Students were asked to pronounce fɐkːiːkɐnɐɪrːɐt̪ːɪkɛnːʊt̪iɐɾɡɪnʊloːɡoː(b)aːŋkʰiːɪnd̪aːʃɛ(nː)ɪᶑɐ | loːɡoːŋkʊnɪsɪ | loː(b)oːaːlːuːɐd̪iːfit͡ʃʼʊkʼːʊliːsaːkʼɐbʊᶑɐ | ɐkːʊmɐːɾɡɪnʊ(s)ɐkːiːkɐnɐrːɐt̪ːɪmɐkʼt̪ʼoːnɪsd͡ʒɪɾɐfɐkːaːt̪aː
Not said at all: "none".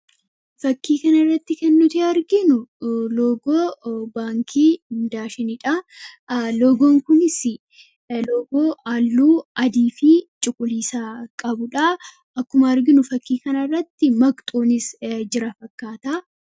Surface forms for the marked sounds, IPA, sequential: b, n, ɡ, f

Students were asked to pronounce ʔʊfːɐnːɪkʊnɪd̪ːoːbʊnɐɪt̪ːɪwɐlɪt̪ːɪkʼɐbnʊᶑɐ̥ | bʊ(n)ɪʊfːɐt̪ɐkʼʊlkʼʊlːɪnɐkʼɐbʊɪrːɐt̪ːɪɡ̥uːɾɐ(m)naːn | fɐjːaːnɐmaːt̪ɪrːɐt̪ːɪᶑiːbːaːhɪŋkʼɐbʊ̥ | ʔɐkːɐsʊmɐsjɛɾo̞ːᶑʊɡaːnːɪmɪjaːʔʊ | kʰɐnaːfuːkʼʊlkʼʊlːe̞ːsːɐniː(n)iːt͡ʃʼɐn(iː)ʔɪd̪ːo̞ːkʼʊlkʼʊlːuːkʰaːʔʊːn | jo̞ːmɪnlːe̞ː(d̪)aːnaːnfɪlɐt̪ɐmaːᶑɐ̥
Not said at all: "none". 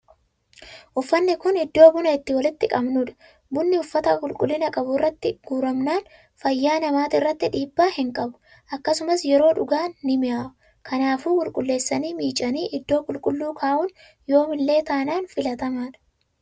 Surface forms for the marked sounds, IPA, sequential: nː, m, m, iː, t̪

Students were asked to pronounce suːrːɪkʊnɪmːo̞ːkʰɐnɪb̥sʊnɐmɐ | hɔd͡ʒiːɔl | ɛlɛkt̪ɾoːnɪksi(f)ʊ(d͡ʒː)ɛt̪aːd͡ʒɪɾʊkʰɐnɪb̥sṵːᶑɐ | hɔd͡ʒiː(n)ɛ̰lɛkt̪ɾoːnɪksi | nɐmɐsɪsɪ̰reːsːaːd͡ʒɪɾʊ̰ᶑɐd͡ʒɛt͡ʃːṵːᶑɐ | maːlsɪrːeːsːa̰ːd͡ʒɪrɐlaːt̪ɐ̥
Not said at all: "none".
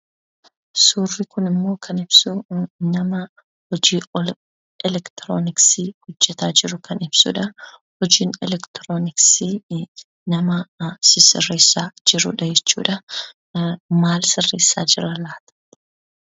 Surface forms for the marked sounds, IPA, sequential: h, d͡ʒː, n

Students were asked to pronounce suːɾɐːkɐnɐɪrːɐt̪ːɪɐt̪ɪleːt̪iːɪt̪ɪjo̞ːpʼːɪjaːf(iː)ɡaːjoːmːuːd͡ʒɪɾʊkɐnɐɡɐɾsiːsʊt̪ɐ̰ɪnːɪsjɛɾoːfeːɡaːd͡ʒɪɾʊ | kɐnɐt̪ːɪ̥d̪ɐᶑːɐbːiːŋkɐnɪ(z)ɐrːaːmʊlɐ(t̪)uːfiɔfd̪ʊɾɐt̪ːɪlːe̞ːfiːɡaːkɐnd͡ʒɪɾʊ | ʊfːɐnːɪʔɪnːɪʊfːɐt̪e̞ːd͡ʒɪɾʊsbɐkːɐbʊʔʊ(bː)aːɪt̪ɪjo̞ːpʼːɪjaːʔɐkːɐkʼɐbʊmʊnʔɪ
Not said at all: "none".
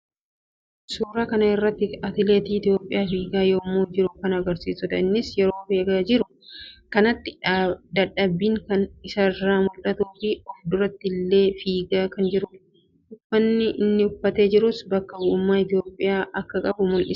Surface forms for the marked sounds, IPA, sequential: iː, s, t̪, mː

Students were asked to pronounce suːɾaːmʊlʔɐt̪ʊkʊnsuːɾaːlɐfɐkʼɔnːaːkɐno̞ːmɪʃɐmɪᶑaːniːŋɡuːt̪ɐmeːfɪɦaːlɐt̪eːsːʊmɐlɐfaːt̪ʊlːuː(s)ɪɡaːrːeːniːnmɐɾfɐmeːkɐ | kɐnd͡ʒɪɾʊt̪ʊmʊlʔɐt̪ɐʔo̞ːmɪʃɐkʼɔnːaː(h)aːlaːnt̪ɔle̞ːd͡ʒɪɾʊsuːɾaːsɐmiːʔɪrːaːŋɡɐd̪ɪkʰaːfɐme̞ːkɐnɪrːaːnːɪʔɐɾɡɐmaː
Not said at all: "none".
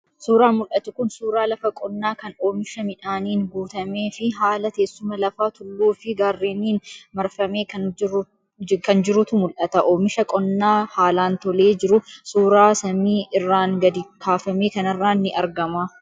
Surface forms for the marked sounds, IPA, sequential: f, h

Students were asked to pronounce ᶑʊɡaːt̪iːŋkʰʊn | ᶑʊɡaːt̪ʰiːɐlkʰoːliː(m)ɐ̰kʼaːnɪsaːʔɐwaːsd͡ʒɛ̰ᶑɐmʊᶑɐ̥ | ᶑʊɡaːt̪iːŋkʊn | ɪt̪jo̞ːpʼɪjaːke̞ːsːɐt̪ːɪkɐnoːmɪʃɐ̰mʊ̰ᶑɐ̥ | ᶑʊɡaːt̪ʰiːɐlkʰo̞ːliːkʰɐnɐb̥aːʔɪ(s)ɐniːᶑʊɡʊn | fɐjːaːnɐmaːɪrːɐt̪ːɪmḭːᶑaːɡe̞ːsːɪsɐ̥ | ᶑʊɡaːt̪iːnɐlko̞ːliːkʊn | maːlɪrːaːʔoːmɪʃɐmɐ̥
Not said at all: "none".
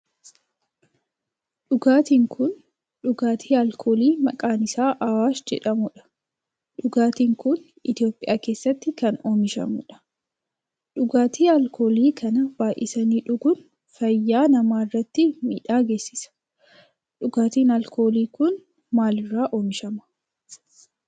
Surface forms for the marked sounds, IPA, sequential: m, s

